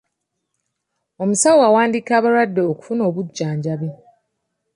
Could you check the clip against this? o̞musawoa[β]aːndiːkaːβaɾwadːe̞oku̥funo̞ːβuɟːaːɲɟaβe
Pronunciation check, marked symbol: incorrect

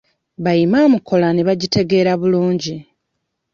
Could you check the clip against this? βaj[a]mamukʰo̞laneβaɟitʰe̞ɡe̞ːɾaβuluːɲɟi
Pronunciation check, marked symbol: incorrect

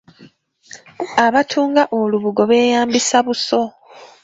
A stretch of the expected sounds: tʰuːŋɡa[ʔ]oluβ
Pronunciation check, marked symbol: correct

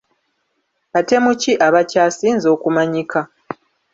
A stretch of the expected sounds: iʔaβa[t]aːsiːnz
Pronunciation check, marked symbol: incorrect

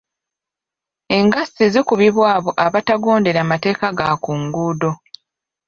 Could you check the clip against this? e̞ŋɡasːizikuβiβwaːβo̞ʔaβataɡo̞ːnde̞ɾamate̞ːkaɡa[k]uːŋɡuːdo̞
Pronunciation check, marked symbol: correct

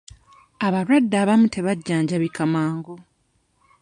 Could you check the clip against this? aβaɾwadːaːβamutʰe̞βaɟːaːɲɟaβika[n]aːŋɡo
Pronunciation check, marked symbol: incorrect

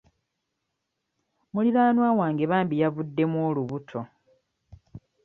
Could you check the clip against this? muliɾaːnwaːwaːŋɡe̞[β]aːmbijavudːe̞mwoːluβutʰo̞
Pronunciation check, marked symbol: correct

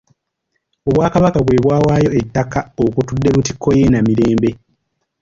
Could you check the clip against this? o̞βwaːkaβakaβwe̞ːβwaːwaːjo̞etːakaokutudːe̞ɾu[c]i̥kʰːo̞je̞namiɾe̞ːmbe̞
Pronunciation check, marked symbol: incorrect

